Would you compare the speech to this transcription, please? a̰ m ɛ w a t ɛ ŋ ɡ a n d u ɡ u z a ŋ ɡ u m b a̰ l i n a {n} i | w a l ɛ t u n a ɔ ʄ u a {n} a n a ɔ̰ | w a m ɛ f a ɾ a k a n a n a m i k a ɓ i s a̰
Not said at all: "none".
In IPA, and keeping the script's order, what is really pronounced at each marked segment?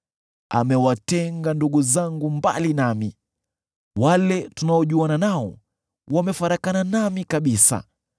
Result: m, n

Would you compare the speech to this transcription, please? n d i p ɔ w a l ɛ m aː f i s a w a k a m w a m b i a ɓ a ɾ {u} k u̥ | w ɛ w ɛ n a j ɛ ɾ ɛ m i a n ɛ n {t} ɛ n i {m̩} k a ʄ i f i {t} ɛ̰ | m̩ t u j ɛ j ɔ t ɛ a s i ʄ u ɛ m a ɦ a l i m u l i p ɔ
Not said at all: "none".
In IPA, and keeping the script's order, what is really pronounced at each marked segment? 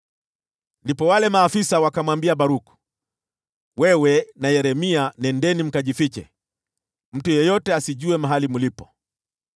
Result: u, d, m̩, t͡ʃ

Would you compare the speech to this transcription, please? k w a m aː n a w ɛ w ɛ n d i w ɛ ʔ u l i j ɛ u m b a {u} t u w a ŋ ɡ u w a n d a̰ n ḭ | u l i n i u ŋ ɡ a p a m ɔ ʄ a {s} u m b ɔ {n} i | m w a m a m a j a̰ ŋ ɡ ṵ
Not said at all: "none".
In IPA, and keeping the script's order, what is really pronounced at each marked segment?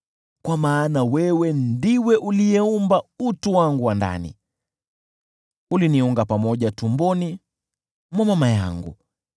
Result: u, t, n

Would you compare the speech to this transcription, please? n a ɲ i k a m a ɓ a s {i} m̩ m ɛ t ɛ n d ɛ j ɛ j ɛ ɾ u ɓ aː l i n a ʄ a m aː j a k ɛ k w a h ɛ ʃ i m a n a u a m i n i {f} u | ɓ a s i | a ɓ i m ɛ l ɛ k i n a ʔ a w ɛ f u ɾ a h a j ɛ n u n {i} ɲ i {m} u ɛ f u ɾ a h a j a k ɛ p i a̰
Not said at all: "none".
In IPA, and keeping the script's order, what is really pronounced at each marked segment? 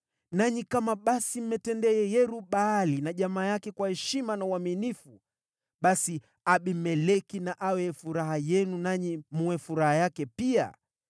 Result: i, f, a, m

